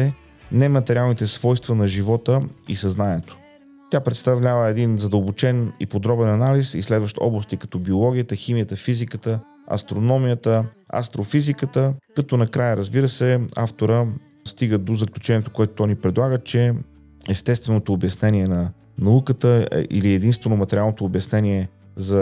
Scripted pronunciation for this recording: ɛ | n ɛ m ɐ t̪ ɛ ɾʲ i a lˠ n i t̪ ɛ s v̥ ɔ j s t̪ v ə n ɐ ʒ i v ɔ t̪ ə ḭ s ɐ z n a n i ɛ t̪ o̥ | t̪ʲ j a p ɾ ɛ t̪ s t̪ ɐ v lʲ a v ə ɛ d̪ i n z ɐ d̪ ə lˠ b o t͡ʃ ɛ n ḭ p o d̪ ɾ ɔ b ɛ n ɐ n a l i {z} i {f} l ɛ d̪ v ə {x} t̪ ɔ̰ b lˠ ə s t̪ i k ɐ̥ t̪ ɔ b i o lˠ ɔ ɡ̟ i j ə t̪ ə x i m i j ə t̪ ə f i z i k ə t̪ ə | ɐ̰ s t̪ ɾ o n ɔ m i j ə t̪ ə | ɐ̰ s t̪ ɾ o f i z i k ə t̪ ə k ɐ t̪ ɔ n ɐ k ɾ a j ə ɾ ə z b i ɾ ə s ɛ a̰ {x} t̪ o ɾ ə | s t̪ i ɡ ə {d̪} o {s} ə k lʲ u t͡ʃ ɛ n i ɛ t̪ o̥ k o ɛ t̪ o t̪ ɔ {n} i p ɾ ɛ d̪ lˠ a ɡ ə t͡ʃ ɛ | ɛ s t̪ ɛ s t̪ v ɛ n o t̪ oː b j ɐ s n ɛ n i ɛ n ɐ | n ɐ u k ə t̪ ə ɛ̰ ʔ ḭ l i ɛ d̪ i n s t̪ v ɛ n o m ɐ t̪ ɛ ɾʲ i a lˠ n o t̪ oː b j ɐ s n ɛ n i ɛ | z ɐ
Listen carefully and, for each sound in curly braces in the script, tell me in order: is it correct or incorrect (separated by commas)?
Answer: incorrect, incorrect, incorrect, incorrect, correct, incorrect, correct